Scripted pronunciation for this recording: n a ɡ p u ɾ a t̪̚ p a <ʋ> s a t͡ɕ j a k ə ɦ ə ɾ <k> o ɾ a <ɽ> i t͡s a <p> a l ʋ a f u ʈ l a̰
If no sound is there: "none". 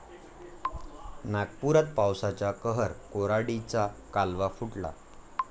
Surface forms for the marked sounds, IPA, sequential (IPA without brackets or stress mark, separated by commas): w, k, ɽ, k